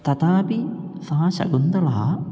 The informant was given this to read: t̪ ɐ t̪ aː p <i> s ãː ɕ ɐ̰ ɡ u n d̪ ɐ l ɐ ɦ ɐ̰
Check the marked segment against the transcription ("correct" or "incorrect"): correct